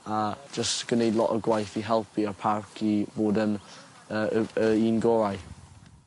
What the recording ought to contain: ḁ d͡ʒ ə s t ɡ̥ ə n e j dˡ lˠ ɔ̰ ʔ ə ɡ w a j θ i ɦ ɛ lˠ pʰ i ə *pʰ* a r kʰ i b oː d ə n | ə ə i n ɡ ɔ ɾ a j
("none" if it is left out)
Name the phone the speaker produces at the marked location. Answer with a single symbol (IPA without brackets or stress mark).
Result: pʰ